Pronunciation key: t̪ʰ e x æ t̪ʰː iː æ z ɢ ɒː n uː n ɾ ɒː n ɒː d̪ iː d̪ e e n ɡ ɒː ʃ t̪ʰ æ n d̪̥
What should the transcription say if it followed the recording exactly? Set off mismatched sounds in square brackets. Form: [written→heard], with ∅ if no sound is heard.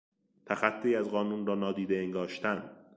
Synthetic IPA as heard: t̪ʰ [e→æ] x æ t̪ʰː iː æ z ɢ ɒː n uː n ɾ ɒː n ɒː d̪ iː d̪ e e [n→ŋ] ɡ ɒː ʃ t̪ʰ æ n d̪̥